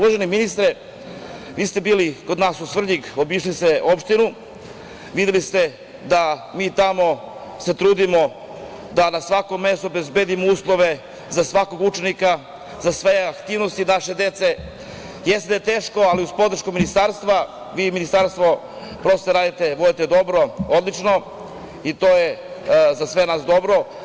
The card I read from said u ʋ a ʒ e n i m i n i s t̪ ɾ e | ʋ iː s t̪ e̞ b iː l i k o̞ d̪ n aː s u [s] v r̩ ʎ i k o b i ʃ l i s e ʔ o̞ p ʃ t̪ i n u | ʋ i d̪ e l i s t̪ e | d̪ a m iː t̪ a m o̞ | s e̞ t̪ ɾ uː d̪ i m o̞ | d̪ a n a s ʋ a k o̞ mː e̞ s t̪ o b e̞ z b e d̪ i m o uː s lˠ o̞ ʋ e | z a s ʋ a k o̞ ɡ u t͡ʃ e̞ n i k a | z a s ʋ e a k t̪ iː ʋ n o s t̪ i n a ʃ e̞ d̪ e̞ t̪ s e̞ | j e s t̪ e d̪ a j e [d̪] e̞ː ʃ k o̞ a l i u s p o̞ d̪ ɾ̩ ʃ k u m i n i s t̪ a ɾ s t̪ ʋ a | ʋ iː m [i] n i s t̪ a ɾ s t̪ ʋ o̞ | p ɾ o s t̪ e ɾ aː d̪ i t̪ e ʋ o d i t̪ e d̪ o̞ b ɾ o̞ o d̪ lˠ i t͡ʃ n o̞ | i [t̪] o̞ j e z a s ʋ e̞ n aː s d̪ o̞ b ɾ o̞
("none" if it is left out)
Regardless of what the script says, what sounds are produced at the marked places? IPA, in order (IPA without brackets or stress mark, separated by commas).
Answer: s, t̪, i, t̪